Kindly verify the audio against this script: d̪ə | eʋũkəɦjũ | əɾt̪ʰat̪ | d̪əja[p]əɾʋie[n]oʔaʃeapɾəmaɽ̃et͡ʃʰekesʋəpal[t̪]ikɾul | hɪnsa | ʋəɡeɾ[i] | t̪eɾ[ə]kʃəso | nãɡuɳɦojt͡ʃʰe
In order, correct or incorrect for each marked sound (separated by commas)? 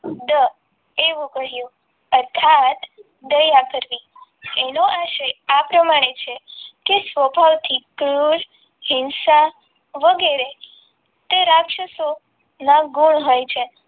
incorrect, correct, incorrect, incorrect, incorrect